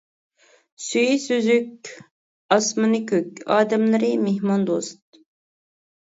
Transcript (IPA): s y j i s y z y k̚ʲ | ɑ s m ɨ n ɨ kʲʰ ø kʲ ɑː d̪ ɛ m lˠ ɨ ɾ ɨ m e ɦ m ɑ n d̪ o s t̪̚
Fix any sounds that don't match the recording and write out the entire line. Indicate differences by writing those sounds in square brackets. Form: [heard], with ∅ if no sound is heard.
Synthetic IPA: s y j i s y z y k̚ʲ | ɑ s m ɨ n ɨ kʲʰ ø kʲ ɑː d̪ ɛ m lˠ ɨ ɾ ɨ m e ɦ m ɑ n d̪ o s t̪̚